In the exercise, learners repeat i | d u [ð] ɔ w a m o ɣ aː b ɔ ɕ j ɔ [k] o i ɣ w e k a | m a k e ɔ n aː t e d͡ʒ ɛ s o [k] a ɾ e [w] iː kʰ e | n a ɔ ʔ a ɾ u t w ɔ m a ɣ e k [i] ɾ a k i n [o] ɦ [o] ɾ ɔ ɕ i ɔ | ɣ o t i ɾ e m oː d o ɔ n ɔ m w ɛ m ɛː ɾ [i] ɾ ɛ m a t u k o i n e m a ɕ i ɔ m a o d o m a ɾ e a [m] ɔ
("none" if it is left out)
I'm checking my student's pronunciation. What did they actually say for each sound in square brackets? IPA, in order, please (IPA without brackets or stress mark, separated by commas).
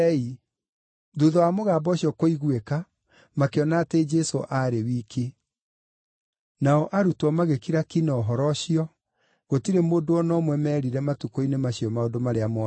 ð, k, ʔ, w, i, ɔ, ɔ, i, m